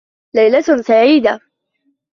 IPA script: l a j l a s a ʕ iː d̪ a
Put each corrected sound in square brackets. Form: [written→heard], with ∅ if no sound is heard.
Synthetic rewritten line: l a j l a s a ʕ iː d̪ a